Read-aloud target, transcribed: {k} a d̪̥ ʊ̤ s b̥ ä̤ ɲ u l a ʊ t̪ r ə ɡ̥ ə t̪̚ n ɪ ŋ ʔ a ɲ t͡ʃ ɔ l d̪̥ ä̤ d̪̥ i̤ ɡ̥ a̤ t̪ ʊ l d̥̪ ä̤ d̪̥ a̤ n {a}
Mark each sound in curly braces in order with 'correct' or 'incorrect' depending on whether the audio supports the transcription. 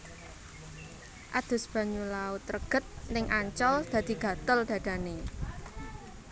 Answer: incorrect: ʔ, incorrect: e

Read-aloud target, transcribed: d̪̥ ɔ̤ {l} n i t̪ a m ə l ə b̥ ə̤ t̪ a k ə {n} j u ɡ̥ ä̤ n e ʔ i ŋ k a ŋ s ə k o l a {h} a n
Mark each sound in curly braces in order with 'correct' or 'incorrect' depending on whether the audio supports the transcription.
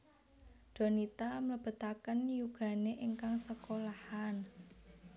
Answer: incorrect: none, correct, correct

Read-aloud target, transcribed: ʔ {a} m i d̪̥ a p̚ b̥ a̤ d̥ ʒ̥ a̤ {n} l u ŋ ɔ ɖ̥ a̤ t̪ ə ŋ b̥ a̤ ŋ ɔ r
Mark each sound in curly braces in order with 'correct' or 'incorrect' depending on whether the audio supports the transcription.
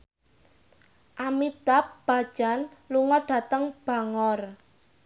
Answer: correct, correct

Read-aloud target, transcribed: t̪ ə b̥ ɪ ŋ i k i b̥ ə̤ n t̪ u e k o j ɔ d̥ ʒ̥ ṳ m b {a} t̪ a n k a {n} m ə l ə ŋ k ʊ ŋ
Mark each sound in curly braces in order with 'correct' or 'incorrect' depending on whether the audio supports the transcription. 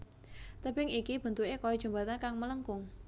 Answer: correct, incorrect: ŋ

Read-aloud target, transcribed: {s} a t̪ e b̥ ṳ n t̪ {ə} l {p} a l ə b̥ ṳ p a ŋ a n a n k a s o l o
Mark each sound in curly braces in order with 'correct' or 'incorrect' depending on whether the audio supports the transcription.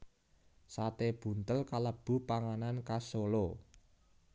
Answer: correct, correct, incorrect: k

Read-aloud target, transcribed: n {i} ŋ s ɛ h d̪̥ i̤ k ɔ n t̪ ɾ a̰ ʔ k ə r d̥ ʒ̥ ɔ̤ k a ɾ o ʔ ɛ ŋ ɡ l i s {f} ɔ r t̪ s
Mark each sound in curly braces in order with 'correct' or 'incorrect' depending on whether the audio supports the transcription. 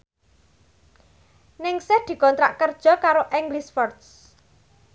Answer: incorrect: ɪ, correct

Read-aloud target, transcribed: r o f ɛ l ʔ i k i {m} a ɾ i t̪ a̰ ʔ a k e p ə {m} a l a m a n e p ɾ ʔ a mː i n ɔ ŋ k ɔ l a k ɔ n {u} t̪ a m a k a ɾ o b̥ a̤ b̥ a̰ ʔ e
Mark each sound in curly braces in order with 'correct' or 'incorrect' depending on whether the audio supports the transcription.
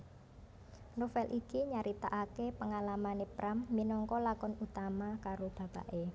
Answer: incorrect: ɲ, incorrect: ŋ, correct

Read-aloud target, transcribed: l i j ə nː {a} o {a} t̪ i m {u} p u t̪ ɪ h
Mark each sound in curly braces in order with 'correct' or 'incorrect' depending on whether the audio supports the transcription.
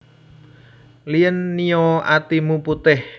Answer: incorrect: i, correct, correct

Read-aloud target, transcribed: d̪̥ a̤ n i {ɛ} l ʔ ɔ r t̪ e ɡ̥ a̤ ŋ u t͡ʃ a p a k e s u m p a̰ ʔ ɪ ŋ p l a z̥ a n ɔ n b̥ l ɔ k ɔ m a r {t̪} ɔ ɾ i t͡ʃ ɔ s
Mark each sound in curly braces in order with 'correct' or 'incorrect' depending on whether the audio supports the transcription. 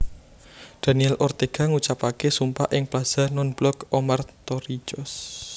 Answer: correct, correct

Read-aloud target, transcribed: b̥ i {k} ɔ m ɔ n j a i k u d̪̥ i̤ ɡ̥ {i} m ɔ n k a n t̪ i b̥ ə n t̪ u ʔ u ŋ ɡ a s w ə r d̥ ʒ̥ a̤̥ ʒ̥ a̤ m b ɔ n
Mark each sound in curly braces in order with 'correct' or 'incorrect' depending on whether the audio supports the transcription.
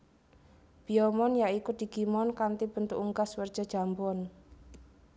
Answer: incorrect: none, correct

